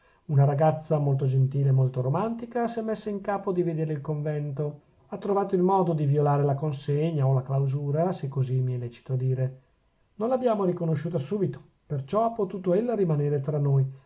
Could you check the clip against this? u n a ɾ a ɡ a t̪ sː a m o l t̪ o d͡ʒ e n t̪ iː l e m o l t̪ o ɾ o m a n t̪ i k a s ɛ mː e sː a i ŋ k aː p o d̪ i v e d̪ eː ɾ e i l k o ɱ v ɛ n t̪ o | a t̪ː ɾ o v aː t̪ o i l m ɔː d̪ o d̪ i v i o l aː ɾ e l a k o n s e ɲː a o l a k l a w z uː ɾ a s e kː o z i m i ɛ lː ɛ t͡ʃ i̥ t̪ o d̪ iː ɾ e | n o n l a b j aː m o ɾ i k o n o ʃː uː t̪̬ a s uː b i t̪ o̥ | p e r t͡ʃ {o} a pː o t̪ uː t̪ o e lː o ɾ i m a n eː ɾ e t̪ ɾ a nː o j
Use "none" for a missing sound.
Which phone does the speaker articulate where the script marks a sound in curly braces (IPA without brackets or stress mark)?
ɔ